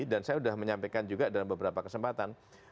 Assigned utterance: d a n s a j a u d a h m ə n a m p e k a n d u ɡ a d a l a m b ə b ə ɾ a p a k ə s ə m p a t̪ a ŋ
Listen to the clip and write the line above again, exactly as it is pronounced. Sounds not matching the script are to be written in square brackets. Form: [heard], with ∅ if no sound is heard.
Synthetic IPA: d a n s a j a u d a h m ə [ɲ] a m p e k a n [d͡ʒ] u ɡ a d a l a m b ə b ə ɾ a p a k ə s ə m p a t̪ a [n]

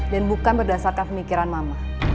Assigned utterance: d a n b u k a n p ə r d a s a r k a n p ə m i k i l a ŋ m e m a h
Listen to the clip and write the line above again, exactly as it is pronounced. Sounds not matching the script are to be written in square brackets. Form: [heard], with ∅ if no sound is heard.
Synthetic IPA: d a n b u k a n [b] ə r d a s a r k a n p ə m i k i [ɾ] a [n] m [a] m a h

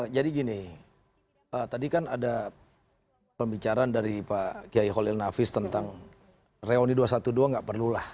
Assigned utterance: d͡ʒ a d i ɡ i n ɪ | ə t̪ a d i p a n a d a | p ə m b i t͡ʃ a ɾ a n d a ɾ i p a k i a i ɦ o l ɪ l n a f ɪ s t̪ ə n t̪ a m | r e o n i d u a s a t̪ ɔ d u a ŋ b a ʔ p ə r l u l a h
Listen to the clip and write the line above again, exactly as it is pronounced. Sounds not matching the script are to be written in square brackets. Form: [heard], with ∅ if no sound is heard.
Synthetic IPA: d͡ʒ a d i ɡ i n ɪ | ə t̪ a d i [k] a n a d a | p ə m b i t͡ʃ a ɾ a n d a ɾ i p a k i a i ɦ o l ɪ l n a f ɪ s t̪ ə n t̪ a [ŋ] | r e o n i d u a s a t̪ [u] d u a ŋ [ɡ] a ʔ p ə r l u l a h

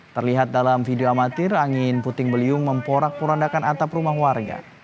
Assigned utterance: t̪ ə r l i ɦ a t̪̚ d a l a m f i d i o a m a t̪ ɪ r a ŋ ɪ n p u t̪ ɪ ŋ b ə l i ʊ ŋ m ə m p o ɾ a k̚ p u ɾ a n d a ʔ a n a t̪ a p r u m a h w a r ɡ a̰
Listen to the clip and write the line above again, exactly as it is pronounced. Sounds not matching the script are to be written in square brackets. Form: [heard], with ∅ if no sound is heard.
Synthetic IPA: t̪ ə r l i ɦ a t̪̚ d a l a m f i d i o a m a t̪ ɪ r a ŋ ɪ n p u t̪ ɪ ŋ b ə l i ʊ ŋ m ə m p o ɾ a k̚ p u ɾ a n d a [k] a n a t̪ a p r u m a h w a r ɡ a̰

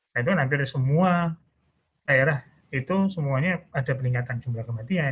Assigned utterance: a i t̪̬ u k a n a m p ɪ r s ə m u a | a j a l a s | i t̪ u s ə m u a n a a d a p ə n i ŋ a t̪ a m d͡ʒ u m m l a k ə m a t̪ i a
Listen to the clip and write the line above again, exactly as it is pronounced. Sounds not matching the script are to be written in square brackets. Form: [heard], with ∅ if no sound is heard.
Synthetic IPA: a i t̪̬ u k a n a m p ɪ r s ə m u a | a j a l a [h] | i t̪ u s ə m u a [ɲ] a a d a p ə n i ŋ a t̪ a [n] d͡ʒ u m [b] l a k ə m a t̪ i a

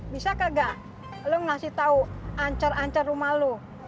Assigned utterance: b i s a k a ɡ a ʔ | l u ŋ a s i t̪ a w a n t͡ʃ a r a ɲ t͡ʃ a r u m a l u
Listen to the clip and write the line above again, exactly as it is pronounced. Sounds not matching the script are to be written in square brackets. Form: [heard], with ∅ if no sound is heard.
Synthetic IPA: b i s a k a ɡ a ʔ | l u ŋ a s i t̪ a [u] a [ɲ] t͡ʃ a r a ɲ t͡ʃ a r u m a l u

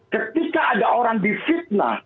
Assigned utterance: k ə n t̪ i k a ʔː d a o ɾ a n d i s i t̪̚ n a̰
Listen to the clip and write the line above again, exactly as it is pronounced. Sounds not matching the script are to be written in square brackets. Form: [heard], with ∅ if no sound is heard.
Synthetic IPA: k ə [∅] t̪ i k a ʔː d a o ɾ a [ŋ] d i [f] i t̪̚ n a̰

